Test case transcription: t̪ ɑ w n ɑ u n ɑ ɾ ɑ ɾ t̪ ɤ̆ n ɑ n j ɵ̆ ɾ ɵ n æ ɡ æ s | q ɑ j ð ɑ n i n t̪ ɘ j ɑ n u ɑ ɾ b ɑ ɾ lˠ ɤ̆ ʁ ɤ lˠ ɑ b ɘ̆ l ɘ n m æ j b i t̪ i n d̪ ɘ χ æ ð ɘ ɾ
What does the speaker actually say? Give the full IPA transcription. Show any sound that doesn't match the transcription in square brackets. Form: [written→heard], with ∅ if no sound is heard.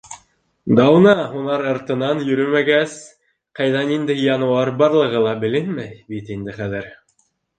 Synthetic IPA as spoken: [t̪→d̪] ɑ w n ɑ u n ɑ ɾ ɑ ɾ t̪ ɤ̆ n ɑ n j ɵ̆ ɾ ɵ [n→m] æ ɡ æ s | q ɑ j ð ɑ n i n [t̪→d̪] ɘ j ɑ n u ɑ ɾ b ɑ ɾ lˠ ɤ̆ ʁ ɤ lˠ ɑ b ɘ̆ l ɘ n m æ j b i t̪ i n d̪ ɘ χ æ ð ɘ ɾ

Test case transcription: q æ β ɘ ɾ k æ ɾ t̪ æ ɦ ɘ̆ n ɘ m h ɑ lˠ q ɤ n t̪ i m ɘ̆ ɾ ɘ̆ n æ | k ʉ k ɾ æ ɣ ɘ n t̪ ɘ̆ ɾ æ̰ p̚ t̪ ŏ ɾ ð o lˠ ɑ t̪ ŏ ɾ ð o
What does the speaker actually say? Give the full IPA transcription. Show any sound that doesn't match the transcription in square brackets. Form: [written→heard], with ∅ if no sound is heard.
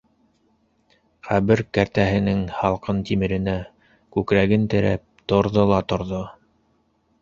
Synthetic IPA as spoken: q æ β ɘ ɾ k æ ɾ t̪ æ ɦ ɘ̆ n ɘ [m→ŋ] h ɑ lˠ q ɤ n t̪ i m ɘ̆ ɾ ɘ̆ n æ | k ʉ k ɾ æ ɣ ɘ n t̪ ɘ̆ ɾ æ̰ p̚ t̪ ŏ ɾ ð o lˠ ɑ t̪ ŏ ɾ ð o

